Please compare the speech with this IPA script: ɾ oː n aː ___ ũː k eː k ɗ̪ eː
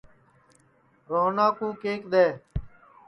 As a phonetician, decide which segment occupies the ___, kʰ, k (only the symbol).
k